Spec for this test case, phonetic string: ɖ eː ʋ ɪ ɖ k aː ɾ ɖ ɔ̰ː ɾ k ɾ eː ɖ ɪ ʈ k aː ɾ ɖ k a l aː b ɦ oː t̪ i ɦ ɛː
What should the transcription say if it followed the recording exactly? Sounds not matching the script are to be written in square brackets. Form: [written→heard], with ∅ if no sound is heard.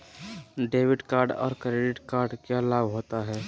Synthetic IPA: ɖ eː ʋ ɪ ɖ k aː ɾ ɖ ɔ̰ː ɾ k ɾ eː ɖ ɪ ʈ k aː ɾ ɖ k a l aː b ɦ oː t̪ [i→a] ɦ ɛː

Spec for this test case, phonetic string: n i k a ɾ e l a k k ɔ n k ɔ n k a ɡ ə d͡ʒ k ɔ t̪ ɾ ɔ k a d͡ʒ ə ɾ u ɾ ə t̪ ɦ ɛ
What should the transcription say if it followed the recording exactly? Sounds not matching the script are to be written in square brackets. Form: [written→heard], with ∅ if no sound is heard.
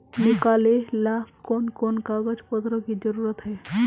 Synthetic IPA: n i k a [ɾ→l] e l a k k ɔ n k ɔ n k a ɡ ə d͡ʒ [k→p] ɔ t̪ ɾ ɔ k [a→i] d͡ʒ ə ɾ u ɾ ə t̪ ɦ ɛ

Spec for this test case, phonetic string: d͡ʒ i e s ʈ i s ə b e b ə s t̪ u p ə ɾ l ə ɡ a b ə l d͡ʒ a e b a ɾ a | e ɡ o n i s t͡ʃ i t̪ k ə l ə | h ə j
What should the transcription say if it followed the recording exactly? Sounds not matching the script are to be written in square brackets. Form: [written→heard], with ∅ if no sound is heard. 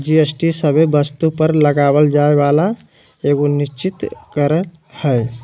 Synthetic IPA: d͡ʒ i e s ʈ i s ə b e b ə s t̪ u p ə ɾ l ə ɡ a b ə l d͡ʒ a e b a [ɾ→l] a | e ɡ o n i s t͡ʃ i t̪ k ə [l→ɾ] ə | h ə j

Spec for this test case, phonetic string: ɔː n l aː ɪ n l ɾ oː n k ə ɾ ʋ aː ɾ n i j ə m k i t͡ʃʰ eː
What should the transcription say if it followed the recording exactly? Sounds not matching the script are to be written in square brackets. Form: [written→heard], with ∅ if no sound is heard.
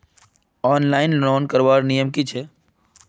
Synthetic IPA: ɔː n l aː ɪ n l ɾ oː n k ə ɾ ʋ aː ɾ n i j ə m k i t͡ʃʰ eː

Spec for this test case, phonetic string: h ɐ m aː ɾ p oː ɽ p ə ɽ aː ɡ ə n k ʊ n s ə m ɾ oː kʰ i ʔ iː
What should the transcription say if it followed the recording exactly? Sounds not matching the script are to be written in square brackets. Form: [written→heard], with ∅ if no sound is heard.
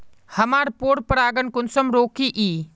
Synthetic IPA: h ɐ m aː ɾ p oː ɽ p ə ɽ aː ɡ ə n k ʊ n s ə m ɾ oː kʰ i ʔ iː

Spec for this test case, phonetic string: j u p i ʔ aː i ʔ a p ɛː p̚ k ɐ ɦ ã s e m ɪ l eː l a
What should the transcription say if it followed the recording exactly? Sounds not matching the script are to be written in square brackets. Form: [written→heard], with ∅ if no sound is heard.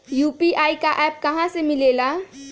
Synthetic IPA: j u p i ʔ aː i [ʔ→k] a [p→ʔ] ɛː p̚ k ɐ ɦ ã s e m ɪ l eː l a

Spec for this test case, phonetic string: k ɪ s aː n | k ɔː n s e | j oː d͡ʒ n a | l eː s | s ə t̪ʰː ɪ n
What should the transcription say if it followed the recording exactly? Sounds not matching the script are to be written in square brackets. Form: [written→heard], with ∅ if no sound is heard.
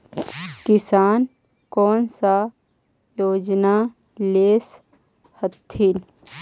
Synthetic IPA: k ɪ s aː n | k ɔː n s [e→a] | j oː d͡ʒ n a | l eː s | [s→h] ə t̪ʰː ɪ n

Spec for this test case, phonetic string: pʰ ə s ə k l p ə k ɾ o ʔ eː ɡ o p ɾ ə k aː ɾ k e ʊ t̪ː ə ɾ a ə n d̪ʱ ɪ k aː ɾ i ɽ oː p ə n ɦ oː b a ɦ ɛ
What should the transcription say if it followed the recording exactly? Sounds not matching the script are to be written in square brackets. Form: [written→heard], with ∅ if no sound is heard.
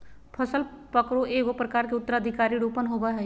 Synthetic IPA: pʰ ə s ə [k→∅] l p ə k ɾ o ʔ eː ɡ o p ɾ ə k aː ɾ k e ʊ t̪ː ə ɾ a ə [n→∅] d̪ʱ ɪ k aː ɾ i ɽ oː p ə n ɦ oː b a ɦ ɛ

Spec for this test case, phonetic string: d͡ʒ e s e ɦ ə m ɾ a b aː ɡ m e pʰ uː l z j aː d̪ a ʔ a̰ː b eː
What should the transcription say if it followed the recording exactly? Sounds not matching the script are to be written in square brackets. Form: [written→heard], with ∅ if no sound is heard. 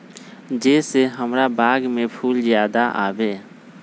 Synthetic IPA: d͡ʒ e s e ɦ ə m ɾ a b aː ɡ m e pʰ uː l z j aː d̪ a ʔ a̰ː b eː

